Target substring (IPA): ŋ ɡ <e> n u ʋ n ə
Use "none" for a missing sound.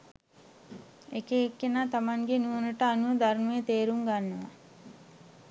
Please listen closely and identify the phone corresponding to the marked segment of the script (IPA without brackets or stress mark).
e